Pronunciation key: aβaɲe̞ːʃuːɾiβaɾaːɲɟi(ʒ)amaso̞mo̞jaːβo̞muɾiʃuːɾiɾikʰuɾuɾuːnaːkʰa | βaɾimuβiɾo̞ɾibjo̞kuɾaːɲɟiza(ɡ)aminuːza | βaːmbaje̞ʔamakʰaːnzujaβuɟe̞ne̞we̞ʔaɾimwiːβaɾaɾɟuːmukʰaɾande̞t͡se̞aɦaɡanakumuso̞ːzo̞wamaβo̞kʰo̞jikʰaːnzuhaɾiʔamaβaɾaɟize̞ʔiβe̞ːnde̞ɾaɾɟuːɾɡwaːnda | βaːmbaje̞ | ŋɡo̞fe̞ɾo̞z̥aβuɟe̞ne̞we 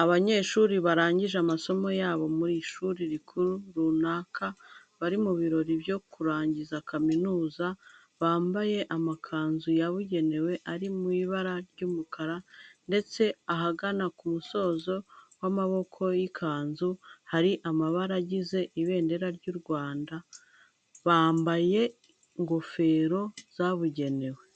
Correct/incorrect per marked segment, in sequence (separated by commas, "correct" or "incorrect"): correct, incorrect